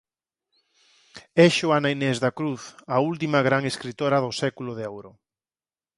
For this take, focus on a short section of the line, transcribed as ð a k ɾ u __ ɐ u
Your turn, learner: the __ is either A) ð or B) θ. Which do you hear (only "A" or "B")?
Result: B